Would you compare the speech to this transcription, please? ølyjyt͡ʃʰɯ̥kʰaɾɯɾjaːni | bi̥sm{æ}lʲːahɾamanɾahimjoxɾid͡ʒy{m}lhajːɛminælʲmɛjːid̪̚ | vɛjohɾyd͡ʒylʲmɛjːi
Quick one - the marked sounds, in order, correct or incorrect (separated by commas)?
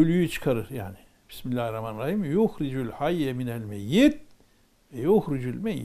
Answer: incorrect, incorrect